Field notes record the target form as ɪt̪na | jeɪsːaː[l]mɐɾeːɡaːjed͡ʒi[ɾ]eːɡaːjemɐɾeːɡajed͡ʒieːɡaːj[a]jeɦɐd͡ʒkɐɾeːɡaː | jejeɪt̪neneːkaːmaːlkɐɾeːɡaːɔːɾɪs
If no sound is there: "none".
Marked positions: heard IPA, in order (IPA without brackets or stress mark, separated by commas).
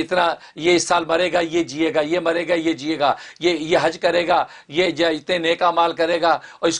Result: l, none, e